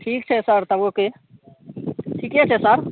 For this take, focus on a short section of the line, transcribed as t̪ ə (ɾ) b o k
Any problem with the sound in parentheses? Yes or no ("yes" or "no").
yes